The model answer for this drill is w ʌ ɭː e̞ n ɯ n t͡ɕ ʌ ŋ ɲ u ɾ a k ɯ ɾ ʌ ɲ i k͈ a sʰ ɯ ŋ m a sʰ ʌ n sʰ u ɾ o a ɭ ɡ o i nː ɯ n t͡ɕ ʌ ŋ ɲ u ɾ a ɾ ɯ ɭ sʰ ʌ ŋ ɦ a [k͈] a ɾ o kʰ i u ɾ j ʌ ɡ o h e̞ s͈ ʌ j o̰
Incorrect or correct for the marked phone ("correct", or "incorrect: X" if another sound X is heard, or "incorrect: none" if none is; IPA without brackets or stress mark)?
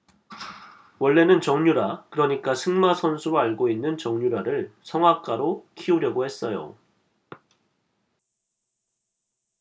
correct